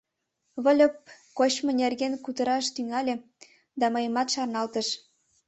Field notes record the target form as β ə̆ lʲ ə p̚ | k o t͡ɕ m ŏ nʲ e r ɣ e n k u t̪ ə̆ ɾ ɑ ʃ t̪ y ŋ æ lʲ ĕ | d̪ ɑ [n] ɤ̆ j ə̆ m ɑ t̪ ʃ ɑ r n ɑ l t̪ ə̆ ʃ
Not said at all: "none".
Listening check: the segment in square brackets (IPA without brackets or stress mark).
m